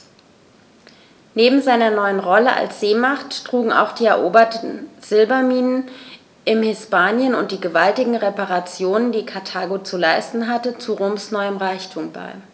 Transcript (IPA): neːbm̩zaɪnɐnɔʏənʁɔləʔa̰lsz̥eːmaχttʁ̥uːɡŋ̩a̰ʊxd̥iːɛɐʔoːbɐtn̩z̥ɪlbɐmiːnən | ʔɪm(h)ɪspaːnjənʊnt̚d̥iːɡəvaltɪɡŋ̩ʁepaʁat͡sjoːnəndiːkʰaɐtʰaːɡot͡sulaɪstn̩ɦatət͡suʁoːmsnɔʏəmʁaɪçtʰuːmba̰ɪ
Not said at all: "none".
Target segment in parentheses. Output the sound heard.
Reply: h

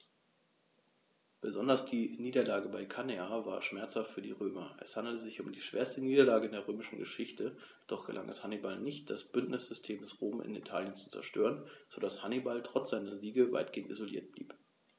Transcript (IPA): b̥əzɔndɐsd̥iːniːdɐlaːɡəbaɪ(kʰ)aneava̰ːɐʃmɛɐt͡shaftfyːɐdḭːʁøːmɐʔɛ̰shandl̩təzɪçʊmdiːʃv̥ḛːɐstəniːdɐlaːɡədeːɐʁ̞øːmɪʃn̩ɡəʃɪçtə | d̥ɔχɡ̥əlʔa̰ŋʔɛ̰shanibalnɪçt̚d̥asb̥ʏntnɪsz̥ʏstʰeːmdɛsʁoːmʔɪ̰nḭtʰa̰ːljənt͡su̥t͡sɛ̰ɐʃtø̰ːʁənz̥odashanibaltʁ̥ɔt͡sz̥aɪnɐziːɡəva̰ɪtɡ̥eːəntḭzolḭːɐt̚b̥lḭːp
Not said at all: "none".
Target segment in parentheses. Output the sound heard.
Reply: kʰ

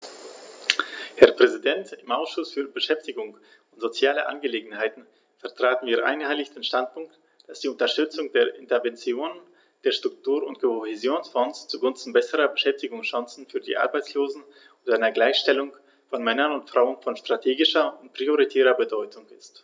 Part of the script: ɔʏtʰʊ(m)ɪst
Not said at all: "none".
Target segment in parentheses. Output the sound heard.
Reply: ŋ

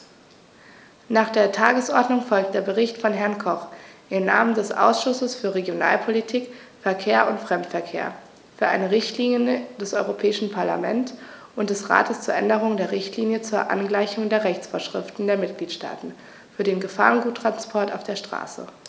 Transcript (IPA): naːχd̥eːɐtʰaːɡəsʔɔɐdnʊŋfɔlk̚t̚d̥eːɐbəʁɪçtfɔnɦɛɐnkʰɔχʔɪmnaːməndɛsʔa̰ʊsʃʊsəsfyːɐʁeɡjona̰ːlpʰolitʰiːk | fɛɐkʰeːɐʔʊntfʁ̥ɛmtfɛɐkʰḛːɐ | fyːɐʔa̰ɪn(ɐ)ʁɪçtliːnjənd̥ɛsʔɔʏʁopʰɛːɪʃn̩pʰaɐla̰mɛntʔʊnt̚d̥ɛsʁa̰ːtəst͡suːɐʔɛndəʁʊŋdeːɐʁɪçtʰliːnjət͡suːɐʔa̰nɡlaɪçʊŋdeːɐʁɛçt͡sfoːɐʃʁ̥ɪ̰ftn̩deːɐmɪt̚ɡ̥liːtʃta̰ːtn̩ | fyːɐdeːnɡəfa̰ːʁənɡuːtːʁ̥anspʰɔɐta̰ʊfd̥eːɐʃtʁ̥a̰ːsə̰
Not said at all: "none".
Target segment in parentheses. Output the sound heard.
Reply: ə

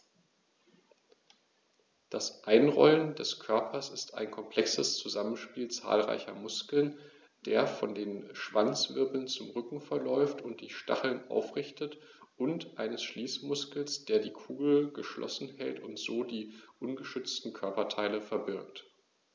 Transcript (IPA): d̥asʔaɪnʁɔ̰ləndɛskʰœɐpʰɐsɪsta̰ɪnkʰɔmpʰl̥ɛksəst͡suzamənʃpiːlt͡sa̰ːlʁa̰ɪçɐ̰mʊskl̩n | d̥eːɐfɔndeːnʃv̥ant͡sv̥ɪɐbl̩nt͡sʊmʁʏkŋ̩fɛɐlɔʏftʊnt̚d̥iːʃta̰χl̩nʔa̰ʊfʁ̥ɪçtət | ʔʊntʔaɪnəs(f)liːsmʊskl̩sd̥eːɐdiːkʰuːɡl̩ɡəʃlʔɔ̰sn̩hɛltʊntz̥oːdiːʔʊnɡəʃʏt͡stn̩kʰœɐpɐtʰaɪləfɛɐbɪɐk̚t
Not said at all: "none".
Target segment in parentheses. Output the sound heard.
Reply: ʃ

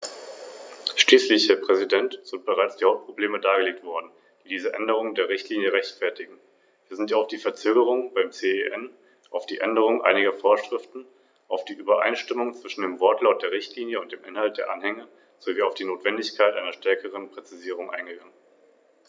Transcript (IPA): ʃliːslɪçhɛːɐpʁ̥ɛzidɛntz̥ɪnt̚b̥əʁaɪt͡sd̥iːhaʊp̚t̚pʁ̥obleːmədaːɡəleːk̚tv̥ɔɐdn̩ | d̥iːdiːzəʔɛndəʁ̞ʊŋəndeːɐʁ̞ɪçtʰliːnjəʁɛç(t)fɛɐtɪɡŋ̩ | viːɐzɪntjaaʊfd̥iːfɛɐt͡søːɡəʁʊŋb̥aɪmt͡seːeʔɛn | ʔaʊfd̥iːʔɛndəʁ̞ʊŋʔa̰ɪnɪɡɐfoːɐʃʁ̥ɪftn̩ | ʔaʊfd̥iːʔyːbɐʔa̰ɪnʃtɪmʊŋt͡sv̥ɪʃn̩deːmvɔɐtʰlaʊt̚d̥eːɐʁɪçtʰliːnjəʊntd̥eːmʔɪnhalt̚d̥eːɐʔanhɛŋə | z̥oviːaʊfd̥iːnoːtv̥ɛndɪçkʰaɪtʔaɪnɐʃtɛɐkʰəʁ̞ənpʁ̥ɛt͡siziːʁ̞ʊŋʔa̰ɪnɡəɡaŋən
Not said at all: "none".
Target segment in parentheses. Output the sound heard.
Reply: t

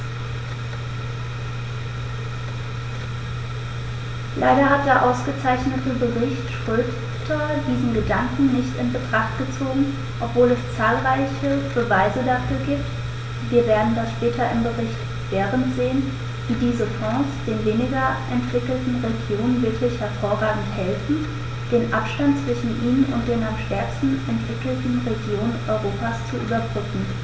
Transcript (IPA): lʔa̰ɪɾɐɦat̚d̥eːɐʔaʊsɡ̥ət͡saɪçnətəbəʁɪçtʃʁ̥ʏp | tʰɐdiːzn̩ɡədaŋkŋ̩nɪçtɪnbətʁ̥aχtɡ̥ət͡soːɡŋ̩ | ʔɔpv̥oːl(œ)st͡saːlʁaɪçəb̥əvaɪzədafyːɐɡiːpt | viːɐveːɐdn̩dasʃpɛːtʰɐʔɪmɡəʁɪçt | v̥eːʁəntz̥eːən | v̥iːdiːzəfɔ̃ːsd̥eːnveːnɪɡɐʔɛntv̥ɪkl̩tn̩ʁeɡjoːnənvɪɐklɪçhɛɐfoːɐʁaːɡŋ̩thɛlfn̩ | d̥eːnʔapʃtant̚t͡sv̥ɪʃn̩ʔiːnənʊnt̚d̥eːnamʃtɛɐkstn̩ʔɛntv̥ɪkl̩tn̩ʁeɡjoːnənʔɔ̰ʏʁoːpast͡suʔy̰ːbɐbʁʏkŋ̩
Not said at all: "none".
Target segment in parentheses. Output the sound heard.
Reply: ɛ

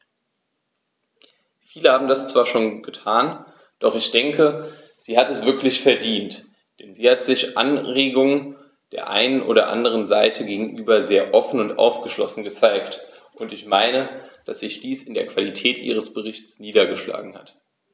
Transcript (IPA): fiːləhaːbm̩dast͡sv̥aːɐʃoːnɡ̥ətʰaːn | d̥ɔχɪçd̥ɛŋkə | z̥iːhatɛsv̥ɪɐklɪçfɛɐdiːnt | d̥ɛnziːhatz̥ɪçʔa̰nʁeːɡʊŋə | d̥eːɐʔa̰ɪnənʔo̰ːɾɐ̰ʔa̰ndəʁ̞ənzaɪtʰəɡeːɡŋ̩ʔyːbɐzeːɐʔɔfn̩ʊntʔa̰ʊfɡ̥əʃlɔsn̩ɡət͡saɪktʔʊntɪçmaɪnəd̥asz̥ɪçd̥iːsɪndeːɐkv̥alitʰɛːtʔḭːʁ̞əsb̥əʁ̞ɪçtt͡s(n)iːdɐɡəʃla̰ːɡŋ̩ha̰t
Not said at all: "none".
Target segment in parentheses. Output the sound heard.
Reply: n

